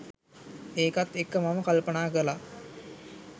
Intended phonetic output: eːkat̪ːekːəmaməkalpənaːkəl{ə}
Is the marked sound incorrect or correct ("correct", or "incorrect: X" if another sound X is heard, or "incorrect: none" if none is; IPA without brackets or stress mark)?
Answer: incorrect: a